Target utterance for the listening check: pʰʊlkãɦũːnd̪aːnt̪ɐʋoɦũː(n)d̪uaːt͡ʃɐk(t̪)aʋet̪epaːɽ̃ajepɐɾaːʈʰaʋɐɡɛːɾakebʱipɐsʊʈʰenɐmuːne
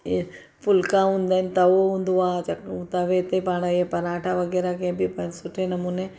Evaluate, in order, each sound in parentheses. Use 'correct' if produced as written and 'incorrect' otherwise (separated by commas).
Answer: correct, correct